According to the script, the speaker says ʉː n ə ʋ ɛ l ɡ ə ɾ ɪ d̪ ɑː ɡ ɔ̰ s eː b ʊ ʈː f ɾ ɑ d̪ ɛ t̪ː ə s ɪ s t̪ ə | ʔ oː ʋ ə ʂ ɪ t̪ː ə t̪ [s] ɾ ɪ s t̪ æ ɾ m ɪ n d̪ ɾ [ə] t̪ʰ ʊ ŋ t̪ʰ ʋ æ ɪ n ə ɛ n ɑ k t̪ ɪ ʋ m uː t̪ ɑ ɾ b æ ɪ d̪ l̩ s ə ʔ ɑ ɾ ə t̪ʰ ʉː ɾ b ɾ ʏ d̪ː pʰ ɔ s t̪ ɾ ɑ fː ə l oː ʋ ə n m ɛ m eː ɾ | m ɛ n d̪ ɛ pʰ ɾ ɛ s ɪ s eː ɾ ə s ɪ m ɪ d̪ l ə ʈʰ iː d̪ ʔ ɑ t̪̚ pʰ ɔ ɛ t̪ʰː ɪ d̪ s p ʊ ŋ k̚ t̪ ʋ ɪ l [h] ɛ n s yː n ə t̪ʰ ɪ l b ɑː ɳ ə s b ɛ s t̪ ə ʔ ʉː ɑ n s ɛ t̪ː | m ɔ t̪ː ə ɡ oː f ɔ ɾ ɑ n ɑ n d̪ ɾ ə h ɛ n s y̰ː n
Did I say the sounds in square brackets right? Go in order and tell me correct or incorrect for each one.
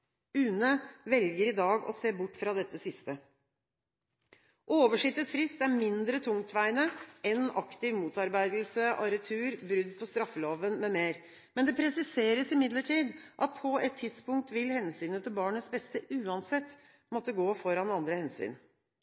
incorrect: f, correct, correct

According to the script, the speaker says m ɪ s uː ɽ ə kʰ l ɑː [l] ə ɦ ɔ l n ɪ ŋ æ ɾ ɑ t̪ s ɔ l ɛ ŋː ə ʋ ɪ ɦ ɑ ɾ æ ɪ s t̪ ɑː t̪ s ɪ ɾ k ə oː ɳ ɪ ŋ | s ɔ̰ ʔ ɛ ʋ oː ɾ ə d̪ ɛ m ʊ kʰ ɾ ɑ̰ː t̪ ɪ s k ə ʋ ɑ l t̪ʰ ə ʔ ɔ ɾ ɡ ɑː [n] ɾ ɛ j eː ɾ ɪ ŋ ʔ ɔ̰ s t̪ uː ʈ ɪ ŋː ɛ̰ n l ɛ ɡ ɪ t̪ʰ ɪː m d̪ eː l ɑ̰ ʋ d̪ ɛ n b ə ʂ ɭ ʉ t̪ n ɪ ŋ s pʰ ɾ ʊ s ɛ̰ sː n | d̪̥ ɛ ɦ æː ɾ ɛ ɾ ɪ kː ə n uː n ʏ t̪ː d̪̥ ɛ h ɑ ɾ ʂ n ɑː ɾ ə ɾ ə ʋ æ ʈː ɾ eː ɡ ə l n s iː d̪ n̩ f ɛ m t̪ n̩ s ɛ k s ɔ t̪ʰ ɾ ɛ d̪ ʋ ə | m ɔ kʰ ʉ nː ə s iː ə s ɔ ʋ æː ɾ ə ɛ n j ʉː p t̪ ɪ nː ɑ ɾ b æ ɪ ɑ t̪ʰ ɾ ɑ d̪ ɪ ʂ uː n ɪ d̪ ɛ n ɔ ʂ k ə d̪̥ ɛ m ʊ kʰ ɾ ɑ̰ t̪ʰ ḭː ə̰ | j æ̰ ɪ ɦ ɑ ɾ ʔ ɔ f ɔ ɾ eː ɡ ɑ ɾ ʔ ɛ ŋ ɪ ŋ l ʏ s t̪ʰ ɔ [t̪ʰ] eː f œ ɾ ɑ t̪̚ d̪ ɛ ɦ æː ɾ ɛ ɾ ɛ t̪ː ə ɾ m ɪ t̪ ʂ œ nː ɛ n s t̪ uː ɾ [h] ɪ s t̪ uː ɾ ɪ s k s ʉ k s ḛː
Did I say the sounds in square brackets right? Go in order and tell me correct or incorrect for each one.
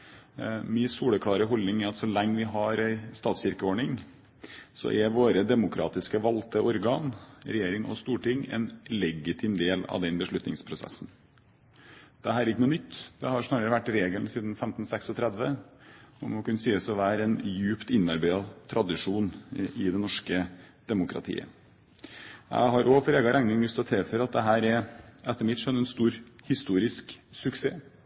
incorrect: ɾ, correct, correct, correct

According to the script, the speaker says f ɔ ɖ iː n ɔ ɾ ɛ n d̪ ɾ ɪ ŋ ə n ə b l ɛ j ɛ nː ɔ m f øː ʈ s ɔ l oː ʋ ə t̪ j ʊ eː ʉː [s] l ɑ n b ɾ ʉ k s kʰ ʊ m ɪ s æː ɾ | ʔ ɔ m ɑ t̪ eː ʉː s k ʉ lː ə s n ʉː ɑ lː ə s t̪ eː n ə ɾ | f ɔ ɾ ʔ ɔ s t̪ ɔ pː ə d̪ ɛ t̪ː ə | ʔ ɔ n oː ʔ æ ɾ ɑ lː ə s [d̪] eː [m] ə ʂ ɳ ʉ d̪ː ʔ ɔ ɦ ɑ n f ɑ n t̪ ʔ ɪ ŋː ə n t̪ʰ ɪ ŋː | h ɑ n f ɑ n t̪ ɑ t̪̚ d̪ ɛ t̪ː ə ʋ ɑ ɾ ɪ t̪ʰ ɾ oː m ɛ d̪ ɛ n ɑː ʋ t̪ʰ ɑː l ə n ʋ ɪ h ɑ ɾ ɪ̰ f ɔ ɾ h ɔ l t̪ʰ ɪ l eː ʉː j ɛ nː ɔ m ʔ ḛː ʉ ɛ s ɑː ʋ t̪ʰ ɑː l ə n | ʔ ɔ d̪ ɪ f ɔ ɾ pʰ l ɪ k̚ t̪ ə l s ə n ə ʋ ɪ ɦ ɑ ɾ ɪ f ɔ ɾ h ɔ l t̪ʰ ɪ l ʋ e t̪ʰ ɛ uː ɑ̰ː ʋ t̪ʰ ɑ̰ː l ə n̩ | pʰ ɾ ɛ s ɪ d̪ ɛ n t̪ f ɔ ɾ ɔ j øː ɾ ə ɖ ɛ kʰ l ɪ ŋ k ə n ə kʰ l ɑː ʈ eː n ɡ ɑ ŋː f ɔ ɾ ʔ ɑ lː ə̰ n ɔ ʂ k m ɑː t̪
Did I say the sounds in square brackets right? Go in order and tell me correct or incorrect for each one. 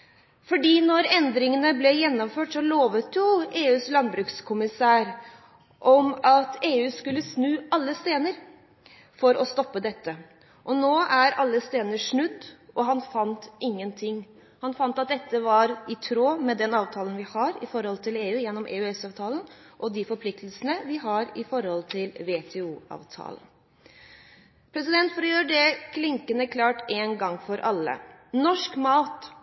correct, incorrect: t̪, incorrect: n

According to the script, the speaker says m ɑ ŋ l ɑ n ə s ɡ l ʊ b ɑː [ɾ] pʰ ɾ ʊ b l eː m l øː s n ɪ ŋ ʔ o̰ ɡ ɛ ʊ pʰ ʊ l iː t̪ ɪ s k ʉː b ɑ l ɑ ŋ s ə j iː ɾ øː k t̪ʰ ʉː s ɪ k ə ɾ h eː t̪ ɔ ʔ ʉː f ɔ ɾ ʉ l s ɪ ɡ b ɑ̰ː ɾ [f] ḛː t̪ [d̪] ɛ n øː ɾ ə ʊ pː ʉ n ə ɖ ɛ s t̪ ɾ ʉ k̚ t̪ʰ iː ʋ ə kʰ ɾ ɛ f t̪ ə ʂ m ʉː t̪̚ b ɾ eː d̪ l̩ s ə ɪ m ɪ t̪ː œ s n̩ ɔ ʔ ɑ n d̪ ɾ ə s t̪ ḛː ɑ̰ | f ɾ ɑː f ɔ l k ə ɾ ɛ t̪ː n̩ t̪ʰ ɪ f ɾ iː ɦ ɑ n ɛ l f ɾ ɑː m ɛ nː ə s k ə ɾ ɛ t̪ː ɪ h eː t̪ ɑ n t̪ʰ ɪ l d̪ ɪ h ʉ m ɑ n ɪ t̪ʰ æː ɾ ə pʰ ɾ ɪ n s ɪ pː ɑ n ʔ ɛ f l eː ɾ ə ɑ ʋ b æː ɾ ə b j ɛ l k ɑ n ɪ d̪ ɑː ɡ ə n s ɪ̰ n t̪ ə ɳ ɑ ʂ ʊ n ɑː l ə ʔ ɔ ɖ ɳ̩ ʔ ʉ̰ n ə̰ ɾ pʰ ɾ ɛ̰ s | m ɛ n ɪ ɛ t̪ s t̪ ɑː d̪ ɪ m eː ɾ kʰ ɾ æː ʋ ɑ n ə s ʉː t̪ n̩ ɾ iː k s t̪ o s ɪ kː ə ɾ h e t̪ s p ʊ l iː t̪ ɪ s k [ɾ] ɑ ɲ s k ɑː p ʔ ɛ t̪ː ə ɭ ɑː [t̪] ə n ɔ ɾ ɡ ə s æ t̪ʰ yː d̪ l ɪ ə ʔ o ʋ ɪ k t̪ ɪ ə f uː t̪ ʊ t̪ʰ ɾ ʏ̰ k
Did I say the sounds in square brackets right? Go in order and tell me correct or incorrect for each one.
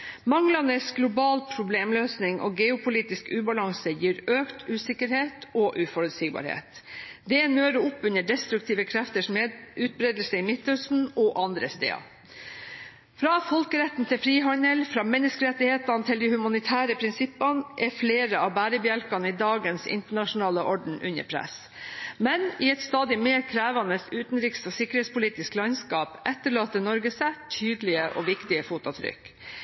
incorrect: l, incorrect: h, correct, incorrect: l, correct

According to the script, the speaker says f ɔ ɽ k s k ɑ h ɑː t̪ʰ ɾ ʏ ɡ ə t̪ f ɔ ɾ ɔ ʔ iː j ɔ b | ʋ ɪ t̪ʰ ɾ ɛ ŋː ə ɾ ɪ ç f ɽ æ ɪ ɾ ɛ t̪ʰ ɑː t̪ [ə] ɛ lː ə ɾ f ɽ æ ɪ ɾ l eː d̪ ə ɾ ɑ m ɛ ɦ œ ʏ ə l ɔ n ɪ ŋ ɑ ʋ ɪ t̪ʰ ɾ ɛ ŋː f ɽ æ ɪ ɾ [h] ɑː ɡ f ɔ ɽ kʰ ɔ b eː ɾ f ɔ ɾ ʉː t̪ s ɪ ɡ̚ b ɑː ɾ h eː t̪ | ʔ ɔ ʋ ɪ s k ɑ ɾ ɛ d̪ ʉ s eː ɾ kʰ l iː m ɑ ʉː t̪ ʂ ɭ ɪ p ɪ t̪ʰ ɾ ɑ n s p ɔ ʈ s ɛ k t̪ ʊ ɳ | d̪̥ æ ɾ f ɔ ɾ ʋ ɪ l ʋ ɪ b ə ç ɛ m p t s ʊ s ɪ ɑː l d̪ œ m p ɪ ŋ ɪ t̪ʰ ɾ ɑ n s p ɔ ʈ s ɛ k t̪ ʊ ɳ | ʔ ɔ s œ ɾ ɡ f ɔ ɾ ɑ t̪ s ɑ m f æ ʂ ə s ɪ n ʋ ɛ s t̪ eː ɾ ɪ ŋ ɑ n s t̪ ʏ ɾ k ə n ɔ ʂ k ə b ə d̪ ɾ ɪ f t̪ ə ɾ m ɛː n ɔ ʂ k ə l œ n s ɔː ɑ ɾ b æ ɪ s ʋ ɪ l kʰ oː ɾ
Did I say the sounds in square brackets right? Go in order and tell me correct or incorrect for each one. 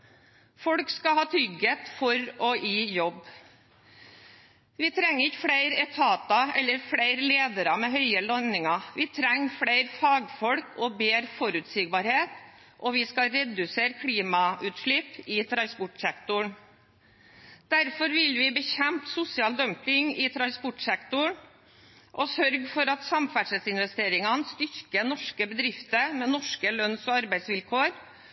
incorrect: ɑ, incorrect: f

